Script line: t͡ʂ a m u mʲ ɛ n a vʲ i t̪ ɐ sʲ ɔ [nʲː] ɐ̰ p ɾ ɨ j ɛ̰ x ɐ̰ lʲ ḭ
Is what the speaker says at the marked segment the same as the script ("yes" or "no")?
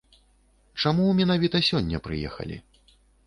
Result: yes